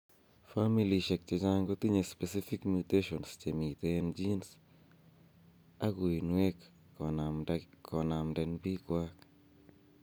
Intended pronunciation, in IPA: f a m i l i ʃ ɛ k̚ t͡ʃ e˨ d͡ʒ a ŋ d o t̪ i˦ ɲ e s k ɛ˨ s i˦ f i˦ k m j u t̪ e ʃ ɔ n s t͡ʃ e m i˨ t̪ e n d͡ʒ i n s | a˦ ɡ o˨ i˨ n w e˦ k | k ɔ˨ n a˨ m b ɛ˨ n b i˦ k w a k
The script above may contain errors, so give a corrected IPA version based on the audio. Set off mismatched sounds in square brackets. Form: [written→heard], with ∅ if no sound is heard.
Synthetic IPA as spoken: f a m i l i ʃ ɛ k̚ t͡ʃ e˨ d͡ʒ a ŋ [d→ɡ] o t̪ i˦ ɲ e s [k→p] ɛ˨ s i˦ f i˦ k m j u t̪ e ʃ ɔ n s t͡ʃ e m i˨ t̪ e n d͡ʒ i n s | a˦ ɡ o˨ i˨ n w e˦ k | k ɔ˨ n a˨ m [b→d] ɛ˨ n b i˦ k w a k